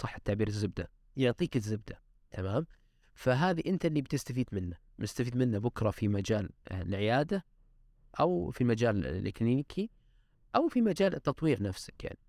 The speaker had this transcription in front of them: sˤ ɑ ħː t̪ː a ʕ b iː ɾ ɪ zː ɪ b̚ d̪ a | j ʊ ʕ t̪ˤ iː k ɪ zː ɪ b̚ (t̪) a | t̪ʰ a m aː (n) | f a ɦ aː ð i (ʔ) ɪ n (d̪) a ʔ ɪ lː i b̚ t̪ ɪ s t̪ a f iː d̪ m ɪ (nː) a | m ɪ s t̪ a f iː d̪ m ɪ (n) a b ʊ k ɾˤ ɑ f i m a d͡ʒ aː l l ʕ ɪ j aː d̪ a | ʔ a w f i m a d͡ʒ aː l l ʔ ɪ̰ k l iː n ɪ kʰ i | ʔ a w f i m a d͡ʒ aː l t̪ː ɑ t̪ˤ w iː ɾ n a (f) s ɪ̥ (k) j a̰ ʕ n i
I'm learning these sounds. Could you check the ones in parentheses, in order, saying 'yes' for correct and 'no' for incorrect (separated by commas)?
no, no, yes, no, yes, no, yes, yes